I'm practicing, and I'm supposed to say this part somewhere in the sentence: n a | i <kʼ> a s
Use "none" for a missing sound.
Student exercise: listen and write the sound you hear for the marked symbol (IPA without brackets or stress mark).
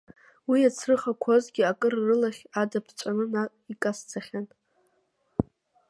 kʼ